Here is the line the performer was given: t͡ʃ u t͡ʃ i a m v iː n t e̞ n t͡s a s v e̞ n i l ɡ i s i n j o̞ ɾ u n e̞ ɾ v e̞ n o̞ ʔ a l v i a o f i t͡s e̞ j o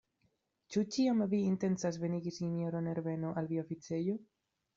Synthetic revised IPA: t͡ʃ u t͡ʃ i a m v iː n t e̞ n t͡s a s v e̞ n i ɡ i s i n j o̞ ɾ o n e̞ ɾ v e̞ n o̞ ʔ a l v i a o f i t͡s e̞ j o